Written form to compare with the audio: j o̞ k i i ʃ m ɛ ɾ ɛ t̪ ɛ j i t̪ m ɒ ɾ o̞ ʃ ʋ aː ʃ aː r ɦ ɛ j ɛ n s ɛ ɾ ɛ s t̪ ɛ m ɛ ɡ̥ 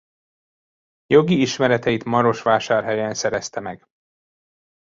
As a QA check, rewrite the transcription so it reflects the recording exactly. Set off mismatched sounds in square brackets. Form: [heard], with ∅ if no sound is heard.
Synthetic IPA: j o̞ [ɡ] i i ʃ m ɛ ɾ ɛ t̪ ɛ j i t̪ m ɒ ɾ o̞ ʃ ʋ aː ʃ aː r ɦ ɛ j ɛ n s ɛ ɾ ɛ s t̪ ɛ m ɛ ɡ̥

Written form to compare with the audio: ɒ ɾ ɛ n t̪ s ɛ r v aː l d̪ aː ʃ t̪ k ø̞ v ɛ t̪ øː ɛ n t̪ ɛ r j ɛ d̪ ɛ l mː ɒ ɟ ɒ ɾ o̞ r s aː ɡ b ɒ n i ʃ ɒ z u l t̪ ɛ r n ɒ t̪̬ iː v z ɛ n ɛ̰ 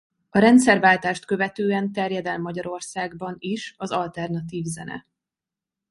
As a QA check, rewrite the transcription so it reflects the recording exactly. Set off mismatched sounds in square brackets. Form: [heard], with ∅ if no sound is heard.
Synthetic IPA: ɒ ɾ ɛ n t̪ s ɛ r v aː l [t̪] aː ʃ t̪ k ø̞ v ɛ t̪ øː ɛ n t̪ ɛ r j ɛ d̪ ɛ l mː ɒ ɟ ɒ ɾ o̞ r s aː ɡ b ɒ n i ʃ ɒ z [ɒ] l t̪ ɛ r n ɒ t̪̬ iː v z ɛ n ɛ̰

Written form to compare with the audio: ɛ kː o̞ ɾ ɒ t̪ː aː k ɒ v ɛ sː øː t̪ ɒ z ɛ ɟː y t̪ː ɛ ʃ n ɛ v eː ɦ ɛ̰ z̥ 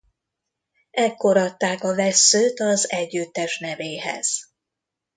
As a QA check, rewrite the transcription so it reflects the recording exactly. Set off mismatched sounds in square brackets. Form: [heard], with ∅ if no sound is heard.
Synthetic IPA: ɛ kː o̞ ɾ ɒ t̪ː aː k ɒ v ɛ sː øː t̪ ɒ z ɛ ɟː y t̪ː ɛ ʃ n ɛ v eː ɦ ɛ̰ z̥

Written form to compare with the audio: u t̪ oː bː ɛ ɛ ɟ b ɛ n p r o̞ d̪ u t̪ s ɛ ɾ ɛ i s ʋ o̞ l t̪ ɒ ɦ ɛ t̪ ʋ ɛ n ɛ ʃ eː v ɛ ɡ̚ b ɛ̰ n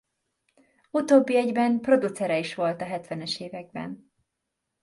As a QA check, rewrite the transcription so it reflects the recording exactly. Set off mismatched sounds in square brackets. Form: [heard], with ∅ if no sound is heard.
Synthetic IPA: u t̪ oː bː [i] ɛ ɟ b ɛ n p r o̞ d̪ u t̪ s ɛ ɾ ɛ i [ʃ] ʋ o̞ l t̪ ɒ ɦ ɛ t̪ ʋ ɛ n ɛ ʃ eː v ɛ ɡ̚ b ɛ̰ n

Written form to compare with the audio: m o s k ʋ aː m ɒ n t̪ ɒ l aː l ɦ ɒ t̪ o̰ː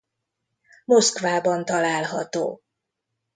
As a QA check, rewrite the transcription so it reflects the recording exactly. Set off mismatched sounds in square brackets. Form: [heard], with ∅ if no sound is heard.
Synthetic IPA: m o s k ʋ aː [b] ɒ n t̪ ɒ l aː l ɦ ɒ t̪ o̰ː

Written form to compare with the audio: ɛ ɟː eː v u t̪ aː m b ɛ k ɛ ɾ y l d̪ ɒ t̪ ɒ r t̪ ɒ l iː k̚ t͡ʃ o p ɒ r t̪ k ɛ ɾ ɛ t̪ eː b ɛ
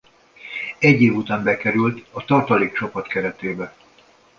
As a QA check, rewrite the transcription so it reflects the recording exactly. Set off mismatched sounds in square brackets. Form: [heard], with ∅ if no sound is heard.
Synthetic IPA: ɛ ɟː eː v u t̪ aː m b ɛ k ɛ ɾ y l [t̪] ɒ t̪ ɒ r t̪ ɒ l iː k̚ t͡ʃ o p ɒ [∅] t̪ k ɛ ɾ ɛ t̪ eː b ɛ

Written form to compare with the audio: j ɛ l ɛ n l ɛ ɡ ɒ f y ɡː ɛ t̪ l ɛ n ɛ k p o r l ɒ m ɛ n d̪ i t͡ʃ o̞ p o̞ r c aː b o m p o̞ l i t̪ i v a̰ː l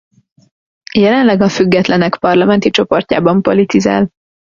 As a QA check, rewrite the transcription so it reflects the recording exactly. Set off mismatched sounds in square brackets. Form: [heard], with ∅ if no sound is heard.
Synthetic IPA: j ɛ l ɛ n l ɛ ɡ ɒ f y ɡː ɛ t̪ l ɛ n ɛ k p [ɒ] r l ɒ m ɛ n [t̪] i t͡ʃ o̞ p o̞ r c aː b [ɒ] m p o̞ l i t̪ i [z] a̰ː l

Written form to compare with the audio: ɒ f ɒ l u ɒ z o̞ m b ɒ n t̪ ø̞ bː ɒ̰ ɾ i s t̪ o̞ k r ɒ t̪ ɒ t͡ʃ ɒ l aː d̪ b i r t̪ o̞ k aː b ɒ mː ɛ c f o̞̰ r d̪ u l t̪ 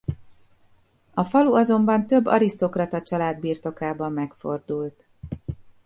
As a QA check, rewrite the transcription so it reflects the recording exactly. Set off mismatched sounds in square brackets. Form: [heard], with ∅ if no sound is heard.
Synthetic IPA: ɒ f ɒ l u ɒ z o̞ m b ɒ n t̪ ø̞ bː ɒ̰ ɾ i s t̪ o̞ k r ɒ t̪ ɒ t͡ʃ ɒ l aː d̪ b [iː] r t̪ o̞ k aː b ɒ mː ɛ [k] f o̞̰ r d̪ u l t̪

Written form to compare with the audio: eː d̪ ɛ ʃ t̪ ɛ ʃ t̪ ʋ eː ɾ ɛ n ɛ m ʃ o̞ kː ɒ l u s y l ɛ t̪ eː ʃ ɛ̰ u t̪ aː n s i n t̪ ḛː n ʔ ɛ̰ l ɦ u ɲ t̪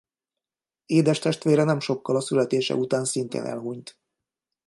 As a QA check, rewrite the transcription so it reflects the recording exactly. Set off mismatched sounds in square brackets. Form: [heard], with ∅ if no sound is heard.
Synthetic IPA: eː d̪ ɛ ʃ t̪ ɛ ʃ t̪ ʋ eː ɾ ɛ n ɛ m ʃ o̞ kː ɒ l [ɒ] s y l ɛ t̪ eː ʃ ɛ̰ u t̪ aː n s i n t̪ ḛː n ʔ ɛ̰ l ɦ u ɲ t̪

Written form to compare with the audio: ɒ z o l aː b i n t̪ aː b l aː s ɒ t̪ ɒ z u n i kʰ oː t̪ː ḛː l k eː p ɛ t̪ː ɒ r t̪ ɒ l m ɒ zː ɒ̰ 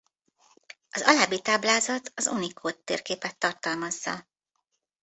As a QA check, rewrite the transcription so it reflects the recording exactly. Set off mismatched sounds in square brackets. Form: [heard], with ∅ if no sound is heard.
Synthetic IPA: ɒ z [ɒ] l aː b i [∅] t̪ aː b l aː [z] ɒ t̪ ɒ z u n i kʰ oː t̪ː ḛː [r] k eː p ɛ t̪ː ɒ r t̪ ɒ l m ɒ zː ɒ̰

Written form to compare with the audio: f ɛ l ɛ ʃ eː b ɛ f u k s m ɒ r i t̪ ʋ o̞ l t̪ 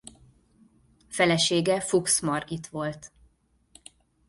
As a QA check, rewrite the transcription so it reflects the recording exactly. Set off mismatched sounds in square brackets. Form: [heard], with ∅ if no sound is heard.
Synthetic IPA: f ɛ l ɛ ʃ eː [ɡ] ɛ f u k s m ɒ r i t̪ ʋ o̞ l t̪

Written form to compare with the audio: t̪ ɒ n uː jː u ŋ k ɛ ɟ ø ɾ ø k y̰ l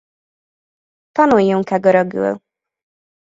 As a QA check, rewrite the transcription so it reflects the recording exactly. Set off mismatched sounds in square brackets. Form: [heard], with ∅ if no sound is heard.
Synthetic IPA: t̪ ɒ n [u] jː u ŋ k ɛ [ɡ] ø ɾ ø [ɡ] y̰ l

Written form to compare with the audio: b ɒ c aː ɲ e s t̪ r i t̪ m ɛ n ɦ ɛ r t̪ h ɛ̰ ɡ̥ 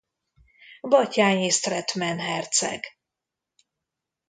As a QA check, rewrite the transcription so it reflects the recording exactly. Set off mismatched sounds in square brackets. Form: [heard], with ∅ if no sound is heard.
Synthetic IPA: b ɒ c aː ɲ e s t̪ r [ɛ] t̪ m ɛ n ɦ ɛ r t̪ [s] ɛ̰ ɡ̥

